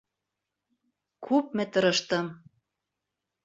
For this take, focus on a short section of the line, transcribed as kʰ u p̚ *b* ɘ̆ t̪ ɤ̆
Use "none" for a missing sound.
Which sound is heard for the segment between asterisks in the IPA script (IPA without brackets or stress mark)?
m